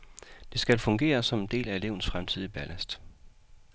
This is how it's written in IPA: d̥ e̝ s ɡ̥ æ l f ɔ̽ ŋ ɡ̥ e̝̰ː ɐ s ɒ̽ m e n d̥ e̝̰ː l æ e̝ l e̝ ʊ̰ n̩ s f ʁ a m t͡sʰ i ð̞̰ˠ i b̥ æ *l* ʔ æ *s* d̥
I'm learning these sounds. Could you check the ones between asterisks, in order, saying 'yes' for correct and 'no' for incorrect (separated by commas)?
yes, yes